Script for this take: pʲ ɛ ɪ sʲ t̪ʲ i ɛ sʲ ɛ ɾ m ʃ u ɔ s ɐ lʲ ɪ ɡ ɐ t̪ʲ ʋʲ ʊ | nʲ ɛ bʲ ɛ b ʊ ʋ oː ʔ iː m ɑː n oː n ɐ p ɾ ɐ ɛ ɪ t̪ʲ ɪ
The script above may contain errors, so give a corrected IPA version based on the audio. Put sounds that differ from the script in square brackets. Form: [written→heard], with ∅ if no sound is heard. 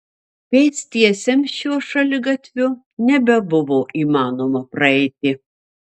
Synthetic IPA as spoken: pʲ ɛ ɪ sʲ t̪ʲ i ɛ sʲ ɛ [ɾ→∅] m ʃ u ɔ [s→ʃ] ɐ lʲ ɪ ɡ ɐ t̪ʲ ʋʲ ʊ | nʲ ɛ bʲ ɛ b ʊ ʋ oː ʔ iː m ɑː n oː [n→m] ɐ p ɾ ɐ ɛ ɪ t̪ʲ ɪ